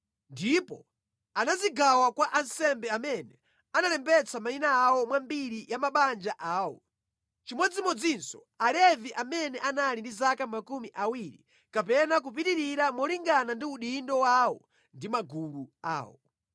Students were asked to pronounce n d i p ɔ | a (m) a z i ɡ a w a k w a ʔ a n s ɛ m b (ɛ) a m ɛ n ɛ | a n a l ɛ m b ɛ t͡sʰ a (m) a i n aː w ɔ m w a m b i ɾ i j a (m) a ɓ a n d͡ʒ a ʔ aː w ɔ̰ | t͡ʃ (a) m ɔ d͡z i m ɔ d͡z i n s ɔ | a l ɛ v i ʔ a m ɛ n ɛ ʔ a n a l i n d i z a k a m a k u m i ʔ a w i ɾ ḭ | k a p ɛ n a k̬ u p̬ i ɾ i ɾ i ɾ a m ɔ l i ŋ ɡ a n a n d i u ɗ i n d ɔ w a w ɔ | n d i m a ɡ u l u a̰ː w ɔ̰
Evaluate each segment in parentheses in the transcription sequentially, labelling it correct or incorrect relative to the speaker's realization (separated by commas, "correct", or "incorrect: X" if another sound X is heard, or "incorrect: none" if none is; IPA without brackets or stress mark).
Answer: incorrect: n, correct, correct, correct, incorrect: i